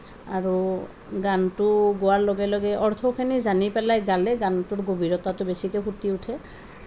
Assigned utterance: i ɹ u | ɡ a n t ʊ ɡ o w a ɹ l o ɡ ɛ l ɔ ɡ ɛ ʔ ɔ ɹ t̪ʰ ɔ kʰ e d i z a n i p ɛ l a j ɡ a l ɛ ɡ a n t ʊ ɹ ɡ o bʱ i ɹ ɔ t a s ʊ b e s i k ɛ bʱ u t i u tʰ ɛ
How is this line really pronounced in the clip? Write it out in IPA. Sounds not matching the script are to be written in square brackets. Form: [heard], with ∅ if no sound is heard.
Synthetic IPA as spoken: [a] ɹ u | ɡ a n t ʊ ɡ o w a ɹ l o ɡ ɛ l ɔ ɡ ɛ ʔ ɔ ɹ t̪ʰ ɔ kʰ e [n] i z a n i p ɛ l a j ɡ a l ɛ ɡ a n t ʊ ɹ ɡ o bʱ i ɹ ɔ t a [t] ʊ b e s i k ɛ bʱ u t i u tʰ ɛ